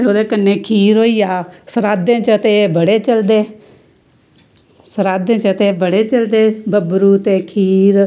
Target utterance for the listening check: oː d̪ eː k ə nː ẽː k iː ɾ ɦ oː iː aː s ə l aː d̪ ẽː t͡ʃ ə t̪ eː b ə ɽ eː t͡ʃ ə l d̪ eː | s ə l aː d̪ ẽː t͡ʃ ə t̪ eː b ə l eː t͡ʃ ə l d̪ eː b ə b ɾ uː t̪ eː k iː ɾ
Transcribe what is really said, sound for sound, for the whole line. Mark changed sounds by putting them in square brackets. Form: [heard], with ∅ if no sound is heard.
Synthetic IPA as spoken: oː d̪ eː k ə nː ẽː [kʰ] iː ɾ ɦ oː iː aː s ə [ɾ] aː d̪ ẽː t͡ʃ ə t̪ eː b ə ɽ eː t͡ʃ ə l d̪ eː | s ə [ɾ] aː d̪ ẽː t͡ʃ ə t̪ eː b ə [ɽ] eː t͡ʃ ə l d̪ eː b ə b ɾ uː t̪ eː [kʰ] iː ɾ

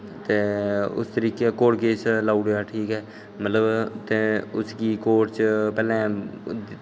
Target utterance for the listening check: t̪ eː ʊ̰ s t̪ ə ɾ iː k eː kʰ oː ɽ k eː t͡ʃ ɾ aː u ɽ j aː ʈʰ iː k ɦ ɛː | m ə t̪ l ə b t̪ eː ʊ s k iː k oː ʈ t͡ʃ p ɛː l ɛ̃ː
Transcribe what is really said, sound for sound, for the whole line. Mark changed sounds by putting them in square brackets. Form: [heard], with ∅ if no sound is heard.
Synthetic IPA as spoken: t̪ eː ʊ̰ s t̪ ə ɾ iː k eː [k] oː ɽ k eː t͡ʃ [l] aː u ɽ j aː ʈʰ iː k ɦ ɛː | m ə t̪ l ə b t̪ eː ʊ s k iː k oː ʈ t͡ʃ p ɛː l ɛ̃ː

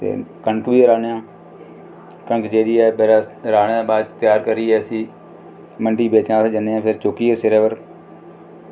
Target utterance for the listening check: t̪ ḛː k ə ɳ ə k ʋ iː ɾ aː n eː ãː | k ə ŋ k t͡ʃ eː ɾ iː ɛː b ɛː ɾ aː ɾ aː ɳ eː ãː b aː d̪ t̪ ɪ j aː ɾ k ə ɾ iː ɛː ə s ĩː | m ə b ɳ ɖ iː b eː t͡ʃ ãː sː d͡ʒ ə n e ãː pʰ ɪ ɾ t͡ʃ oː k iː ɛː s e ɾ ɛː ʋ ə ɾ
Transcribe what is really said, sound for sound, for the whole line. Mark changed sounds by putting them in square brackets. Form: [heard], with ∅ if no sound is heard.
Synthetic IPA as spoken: t̪ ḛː k ə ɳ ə k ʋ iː ɾ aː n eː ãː | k ə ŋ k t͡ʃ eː ɾ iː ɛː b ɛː ɾ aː ɾ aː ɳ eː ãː b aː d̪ t̪ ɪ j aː ɾ k ə ɾ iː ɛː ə s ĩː | m ə [∅] ɳ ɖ iː b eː t͡ʃ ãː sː d͡ʒ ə n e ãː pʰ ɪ ɾ t͡ʃ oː k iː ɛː s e ɾ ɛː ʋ ə ɾ

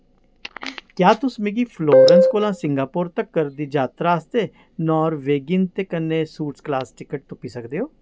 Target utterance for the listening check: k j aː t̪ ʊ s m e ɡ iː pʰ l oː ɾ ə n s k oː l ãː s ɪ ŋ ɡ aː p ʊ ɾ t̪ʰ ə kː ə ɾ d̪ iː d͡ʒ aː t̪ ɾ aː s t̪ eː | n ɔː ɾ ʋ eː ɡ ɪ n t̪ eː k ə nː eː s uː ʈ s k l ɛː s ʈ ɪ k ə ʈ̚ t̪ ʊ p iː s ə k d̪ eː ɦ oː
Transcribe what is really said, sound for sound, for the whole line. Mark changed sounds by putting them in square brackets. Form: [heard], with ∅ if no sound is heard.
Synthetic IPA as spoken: k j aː t̪ ʊ s m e ɡ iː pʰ l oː ɾ ə n s k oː l ãː s ɪ ŋ ɡ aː p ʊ ɾ [t̪] ə kː ə ɾ d̪ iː d͡ʒ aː t̪ ɾ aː s t̪ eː | n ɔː ɾ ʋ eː ɡ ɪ n t̪ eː k ə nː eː s uː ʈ s k l [aː] s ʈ ɪ k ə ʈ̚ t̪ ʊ p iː s ə k d̪ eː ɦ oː

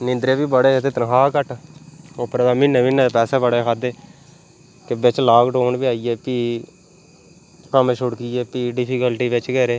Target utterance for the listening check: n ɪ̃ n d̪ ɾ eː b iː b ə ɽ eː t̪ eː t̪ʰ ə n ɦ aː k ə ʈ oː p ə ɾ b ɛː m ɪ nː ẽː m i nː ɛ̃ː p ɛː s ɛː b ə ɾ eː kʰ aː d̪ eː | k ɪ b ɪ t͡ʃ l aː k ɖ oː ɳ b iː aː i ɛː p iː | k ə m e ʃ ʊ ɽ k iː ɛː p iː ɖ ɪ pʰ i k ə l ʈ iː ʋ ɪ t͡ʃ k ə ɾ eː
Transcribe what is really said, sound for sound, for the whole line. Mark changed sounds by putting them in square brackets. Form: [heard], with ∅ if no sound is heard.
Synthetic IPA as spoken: n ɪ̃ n d̪ ɾ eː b iː b ə ɽ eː t̪ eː [t̪] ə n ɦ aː k ə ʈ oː p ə ɾ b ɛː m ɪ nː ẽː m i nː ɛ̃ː p ɛː s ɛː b ə [ɽ] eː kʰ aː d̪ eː | k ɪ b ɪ t͡ʃ l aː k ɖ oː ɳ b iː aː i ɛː p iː | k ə m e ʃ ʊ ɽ k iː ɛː p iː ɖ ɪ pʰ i k ə l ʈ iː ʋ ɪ t͡ʃ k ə ɾ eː

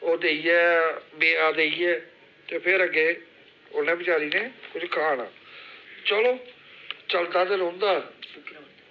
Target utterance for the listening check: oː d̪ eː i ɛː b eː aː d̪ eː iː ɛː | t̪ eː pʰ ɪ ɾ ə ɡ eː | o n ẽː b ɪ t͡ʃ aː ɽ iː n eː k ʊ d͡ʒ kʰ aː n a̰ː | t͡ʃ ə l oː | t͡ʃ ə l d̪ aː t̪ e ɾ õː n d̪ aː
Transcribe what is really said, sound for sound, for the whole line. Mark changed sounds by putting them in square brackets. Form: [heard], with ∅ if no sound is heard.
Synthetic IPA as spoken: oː d̪ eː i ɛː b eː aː d̪ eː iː ɛː | t̪ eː pʰ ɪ ɾ ə ɡ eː | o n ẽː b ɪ t͡ʃ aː [ɾ] iː n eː k ʊ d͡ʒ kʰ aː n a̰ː | t͡ʃ ə l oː | t͡ʃ ə l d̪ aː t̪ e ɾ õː n d̪ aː

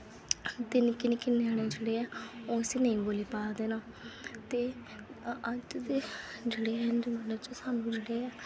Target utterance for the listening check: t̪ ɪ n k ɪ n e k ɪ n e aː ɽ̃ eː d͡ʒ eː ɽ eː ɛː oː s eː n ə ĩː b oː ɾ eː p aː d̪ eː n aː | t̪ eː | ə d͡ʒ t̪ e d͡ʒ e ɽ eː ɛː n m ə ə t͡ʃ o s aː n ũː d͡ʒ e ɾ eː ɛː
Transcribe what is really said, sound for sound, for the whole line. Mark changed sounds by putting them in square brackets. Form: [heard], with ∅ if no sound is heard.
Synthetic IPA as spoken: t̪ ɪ n k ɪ n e k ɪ n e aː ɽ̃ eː d͡ʒ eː ɽ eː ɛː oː s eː n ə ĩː b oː [l] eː p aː d̪ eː n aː | t̪ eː | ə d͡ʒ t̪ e d͡ʒ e ɽ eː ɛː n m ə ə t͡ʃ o s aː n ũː d͡ʒ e [ɽ] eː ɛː

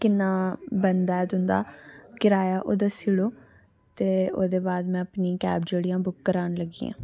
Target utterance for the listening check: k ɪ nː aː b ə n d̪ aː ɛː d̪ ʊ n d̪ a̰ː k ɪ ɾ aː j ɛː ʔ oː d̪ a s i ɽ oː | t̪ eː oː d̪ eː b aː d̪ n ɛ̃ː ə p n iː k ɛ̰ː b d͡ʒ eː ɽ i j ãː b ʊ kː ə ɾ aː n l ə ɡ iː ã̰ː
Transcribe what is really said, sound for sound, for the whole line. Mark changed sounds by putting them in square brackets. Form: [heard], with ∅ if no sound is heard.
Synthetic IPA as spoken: k ɪ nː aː b ə n d̪ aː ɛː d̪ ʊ n d̪ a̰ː k ɪ ɾ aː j [aː] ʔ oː d̪ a s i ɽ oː | t̪ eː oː d̪ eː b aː d̪ [m] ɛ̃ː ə p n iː k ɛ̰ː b d͡ʒ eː ɽ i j ãː b ʊ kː ə ɾ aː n l ə ɡ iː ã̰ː

